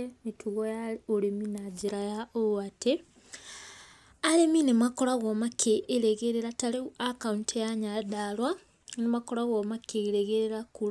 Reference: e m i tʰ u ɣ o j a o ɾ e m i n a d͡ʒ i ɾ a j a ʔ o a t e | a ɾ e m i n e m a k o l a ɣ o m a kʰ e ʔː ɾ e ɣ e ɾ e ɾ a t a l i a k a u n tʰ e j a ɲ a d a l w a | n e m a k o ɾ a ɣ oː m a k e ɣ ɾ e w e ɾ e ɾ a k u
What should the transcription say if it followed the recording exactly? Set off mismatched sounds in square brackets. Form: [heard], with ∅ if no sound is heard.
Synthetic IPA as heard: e m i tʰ u ɣ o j a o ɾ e m i n a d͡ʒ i ɾ a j a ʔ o a t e | a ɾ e m i n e m a k o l a ɣ o m a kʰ e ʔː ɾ e ɣ e ɾ e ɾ a t a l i a k a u n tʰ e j a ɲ a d a l w a | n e m a k o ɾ a ɣ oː m a k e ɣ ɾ e [ɣ] e ɾ e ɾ a k u